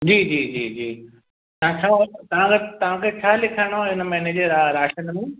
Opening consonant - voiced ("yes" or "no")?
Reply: yes